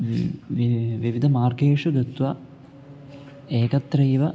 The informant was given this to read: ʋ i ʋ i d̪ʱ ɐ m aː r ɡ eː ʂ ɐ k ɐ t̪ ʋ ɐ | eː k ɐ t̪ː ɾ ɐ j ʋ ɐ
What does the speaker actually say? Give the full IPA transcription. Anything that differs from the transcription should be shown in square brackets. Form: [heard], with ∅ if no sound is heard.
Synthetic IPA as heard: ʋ i ʋ i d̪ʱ ɐ m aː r ɡ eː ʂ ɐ [ɡ] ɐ t̪ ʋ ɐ | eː k ɐ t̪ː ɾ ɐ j ʋ ɐ